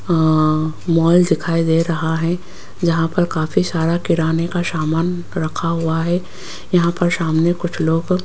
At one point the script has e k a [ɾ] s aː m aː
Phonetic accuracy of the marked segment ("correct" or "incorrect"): incorrect